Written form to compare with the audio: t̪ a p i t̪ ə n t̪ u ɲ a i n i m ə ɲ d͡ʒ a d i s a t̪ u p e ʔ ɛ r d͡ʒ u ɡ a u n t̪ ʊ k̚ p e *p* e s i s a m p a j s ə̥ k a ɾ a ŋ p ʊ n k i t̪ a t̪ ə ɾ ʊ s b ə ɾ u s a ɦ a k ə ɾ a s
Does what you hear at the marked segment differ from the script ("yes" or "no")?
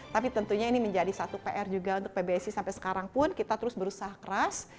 yes